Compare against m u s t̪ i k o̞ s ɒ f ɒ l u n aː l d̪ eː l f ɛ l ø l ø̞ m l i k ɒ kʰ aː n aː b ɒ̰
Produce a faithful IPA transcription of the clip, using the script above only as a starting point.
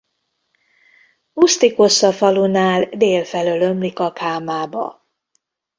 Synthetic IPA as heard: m u s t̪ i k o̞ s ɒ f ɒ l u n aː l d̪ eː l f ɛ l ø l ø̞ m l i k ɒ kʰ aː m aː b ɒ̰